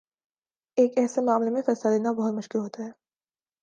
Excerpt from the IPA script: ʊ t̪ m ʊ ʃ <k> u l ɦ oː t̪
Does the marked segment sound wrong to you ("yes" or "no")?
no